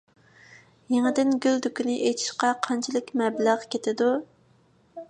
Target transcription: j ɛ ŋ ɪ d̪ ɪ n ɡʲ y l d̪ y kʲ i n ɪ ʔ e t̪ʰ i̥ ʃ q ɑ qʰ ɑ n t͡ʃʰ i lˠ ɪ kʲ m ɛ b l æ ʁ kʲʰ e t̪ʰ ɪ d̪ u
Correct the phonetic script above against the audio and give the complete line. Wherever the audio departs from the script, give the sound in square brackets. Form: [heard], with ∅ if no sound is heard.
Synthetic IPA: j [e] ŋ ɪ d̪ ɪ n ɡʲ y l d̪ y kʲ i n ɪ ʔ e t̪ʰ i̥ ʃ q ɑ qʰ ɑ n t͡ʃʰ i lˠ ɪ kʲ m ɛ b l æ ʁ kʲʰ e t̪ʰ ɪ d̪ u